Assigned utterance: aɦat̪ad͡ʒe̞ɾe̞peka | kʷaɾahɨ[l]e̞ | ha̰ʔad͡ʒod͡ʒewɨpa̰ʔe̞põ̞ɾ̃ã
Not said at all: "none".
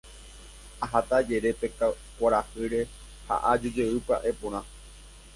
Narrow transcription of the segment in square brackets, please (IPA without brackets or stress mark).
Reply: ɾ